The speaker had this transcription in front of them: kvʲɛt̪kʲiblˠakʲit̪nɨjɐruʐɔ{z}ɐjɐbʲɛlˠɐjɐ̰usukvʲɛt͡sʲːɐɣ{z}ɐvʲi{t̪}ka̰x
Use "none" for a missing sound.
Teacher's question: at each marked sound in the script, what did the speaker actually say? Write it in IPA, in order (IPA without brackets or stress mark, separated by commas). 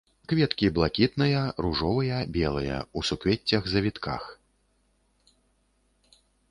v, z, t̪